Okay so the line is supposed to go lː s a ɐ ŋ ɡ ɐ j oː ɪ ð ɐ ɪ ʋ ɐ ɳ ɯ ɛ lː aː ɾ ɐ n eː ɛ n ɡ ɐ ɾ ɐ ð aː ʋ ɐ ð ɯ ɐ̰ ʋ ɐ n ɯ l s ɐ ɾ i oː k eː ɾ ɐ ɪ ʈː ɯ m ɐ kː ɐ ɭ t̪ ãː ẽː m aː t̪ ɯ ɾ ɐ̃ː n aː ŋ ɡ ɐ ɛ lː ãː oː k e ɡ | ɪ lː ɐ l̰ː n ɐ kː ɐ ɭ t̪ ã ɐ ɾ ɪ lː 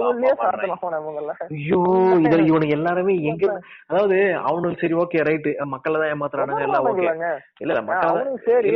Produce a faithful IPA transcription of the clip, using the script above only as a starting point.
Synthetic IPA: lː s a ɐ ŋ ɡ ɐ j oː ɪ ð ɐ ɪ ʋ ɐ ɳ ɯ ɛ lː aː ɾ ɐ m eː ɛ ŋ ɡ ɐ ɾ ɐ ð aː ʋ ɐ ð ɯ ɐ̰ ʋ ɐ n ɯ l s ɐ ɾ i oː k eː ɾ ɐ ɪ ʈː ɯ m ɐ kː ɐ ɭ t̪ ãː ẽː m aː t̪ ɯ ɾ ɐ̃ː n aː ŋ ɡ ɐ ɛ lː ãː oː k e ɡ | ɪ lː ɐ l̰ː m ɐ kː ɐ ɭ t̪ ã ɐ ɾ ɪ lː